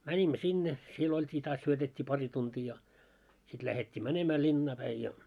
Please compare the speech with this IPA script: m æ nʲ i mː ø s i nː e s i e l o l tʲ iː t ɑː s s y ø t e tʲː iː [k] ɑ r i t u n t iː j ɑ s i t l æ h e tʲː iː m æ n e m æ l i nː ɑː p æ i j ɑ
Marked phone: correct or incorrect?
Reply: incorrect: p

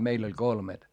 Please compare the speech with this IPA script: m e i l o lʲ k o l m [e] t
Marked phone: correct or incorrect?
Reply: correct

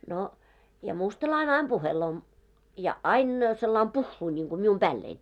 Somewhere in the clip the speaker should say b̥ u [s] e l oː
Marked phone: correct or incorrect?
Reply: incorrect: h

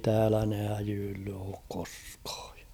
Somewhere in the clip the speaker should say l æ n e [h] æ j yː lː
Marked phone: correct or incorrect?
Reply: correct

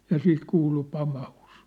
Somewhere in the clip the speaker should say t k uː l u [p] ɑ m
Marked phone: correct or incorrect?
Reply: correct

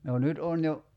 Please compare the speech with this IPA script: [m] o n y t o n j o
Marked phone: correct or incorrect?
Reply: incorrect: n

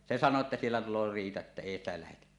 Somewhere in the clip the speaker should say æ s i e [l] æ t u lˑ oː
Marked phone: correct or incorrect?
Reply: incorrect: lː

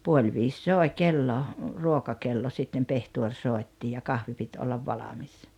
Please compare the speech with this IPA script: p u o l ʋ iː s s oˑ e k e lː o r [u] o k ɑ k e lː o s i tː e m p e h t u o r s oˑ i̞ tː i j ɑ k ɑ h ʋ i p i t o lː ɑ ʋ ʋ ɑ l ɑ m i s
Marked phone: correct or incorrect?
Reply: correct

